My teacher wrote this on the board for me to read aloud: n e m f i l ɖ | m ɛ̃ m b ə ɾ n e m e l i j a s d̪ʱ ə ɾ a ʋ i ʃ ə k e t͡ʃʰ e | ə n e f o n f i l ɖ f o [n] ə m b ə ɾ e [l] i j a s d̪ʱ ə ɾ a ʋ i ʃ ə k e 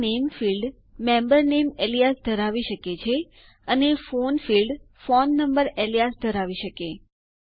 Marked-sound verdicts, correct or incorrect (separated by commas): incorrect, correct